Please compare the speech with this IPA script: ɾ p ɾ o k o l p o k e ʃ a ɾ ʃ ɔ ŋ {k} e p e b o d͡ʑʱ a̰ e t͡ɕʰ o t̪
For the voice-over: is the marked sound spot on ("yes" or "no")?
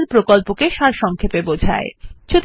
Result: no